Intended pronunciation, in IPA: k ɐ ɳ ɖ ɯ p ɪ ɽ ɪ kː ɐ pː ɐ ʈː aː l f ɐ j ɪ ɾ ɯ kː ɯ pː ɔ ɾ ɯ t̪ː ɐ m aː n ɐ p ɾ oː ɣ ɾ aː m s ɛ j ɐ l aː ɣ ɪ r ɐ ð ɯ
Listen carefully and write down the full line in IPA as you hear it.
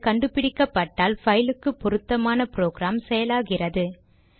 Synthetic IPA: k ɐ ɳ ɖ ɯ p ɪ ɽ ɪ kː ɐ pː ɐ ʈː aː l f ɐ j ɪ l ɯ kː ɯ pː ɔ ɾ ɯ t̪ː ɐ m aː n ɐ p ɾ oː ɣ ɾ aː m s ɛ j ɐ l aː ɣ ɪ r ɐ ð ɯ